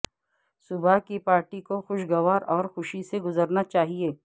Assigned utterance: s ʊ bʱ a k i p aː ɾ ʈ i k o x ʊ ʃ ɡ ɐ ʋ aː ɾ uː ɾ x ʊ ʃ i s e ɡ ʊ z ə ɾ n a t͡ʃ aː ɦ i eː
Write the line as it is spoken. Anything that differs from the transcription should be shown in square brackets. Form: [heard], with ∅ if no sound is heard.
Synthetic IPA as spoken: s ʊ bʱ a k i p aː ɾ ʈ i k o x ʊ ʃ ɡ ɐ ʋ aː ɾ [ɔː] ɾ x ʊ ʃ i s e ɡ ʊ z ə ɾ n a t͡ʃ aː ɦ i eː